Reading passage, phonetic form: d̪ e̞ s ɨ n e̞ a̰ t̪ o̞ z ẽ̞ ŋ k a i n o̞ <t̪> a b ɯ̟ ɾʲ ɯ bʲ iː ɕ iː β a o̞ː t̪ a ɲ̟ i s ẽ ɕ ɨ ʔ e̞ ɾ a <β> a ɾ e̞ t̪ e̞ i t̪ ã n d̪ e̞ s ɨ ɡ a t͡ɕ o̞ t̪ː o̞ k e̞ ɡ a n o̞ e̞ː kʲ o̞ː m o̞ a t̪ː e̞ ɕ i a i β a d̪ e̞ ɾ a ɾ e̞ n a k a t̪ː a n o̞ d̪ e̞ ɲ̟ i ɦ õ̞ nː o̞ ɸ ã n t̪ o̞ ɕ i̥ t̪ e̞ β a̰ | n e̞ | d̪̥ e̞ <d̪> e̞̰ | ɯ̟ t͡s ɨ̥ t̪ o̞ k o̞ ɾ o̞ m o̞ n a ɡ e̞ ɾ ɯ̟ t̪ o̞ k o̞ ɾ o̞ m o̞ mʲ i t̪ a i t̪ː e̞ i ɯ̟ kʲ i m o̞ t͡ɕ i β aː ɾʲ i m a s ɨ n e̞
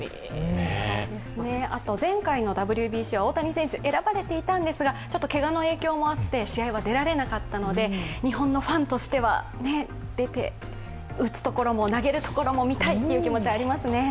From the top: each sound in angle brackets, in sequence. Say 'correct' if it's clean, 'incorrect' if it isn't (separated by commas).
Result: incorrect, incorrect, incorrect